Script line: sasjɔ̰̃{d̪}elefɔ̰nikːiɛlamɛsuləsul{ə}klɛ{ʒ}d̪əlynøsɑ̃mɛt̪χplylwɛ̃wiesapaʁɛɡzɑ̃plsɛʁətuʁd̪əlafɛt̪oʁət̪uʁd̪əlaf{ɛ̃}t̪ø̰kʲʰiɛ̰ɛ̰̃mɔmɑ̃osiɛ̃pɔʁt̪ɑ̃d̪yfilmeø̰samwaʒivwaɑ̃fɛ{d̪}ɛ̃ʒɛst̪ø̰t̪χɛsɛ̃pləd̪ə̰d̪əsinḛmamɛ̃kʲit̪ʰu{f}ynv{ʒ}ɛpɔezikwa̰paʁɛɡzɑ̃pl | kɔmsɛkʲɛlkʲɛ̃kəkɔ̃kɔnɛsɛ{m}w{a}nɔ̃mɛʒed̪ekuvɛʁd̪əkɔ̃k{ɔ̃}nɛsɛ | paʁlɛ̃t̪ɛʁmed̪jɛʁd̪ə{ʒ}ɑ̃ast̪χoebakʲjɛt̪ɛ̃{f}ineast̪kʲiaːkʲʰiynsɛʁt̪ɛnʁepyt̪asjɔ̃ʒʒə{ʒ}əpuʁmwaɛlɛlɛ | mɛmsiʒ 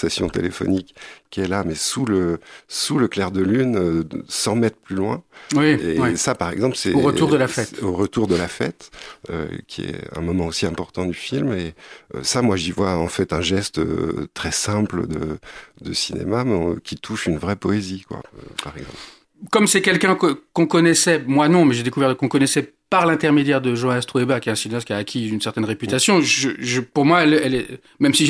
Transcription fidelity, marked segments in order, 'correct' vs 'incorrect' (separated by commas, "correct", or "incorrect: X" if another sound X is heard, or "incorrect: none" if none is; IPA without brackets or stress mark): incorrect: t̪, correct, incorrect: ʁ, incorrect: ɛ, incorrect: t̪, incorrect: ʃ, incorrect: ʁ, correct, correct, incorrect: ɔ, correct, incorrect: s, correct